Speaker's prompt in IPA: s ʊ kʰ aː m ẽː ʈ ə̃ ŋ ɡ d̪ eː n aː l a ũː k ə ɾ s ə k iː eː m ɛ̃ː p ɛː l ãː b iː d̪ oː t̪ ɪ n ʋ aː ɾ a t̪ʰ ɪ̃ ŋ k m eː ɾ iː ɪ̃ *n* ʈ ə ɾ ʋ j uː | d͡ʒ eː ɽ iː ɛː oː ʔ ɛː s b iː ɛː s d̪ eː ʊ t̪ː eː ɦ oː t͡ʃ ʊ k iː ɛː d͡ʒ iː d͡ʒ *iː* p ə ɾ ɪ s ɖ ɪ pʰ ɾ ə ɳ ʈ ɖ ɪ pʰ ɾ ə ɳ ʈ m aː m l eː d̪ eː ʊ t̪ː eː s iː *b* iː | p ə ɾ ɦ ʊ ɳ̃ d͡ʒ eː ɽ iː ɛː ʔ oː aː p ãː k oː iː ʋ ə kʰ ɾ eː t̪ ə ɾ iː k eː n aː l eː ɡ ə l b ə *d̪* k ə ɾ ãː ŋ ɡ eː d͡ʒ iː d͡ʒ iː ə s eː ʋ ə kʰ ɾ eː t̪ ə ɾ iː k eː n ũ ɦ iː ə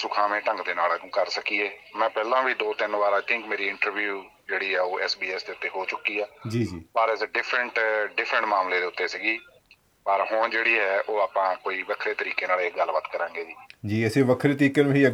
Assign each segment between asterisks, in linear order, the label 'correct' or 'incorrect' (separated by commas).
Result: incorrect, correct, incorrect, incorrect